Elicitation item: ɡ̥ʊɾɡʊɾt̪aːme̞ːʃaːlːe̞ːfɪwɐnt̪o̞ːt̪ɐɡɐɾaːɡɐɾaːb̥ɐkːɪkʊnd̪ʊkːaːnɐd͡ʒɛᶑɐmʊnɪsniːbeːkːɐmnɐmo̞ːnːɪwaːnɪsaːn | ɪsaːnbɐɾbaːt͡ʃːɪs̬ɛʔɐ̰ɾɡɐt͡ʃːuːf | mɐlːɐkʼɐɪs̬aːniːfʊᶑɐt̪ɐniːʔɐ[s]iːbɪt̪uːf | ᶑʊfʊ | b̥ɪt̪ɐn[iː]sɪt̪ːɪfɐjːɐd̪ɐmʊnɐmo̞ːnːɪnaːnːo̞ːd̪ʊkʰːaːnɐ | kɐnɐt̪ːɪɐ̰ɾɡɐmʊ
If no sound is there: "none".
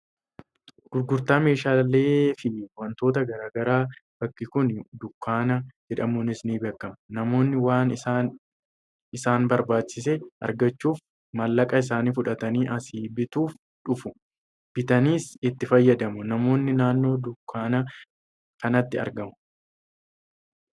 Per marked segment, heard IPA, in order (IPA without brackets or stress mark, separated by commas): s, iː